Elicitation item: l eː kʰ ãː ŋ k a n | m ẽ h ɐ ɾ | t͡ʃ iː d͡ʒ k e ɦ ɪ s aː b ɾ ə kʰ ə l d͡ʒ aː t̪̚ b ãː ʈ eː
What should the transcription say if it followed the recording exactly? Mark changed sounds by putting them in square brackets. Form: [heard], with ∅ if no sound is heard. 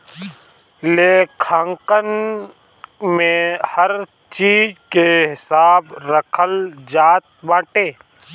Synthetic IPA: l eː kʰ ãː ŋ k [ə] n | m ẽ h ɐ ɾ | t͡ʃ iː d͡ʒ k e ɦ ɪ s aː b ɾ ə kʰ ə l d͡ʒ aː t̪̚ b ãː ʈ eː

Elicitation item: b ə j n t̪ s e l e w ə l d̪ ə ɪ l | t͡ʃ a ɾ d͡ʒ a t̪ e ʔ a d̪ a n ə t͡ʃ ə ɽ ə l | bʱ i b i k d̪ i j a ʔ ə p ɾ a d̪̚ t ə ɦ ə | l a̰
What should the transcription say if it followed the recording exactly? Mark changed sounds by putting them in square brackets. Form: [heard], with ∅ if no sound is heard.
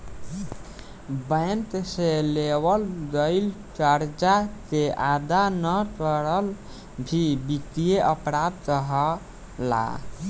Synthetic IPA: b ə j n t̪ s e l e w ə l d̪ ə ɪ l | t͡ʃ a ɾ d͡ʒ a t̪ e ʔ a d̪ a n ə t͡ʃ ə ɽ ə l | bʱ i b i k [t̪] i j [e] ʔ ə p ɾ a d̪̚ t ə ɦ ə | l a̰

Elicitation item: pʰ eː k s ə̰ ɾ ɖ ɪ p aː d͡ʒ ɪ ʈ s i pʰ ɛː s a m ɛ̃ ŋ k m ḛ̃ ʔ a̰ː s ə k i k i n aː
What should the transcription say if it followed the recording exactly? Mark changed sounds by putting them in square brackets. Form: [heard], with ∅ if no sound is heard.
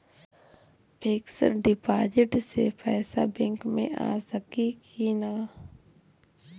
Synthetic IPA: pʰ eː k s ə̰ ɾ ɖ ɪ p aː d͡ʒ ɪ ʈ s [e] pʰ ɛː s a [b] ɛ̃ ŋ k m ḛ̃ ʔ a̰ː s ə k i k i n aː

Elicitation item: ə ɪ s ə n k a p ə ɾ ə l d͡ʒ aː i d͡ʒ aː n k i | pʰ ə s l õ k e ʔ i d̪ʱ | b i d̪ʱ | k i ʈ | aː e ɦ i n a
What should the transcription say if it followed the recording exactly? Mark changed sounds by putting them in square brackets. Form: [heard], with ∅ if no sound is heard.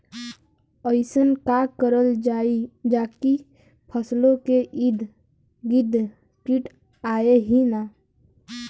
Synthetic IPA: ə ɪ s ə n k a [k] ə ɾ ə l d͡ʒ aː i d͡ʒ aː [∅] k i | pʰ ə s l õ k e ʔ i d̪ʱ | [ɡ] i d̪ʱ | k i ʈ | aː e ɦ i n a

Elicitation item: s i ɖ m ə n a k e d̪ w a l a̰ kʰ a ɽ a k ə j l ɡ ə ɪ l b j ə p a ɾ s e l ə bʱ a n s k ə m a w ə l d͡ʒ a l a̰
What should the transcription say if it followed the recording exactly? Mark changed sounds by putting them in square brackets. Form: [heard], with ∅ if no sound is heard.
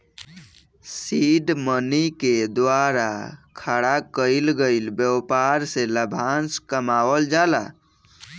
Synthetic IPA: s i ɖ m ə n [i] k e d̪ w a [ɾ] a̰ kʰ a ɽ a k ə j l ɡ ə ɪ l b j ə p a ɾ s e l ə bʱ a n s k ə m a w ə l d͡ʒ a l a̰

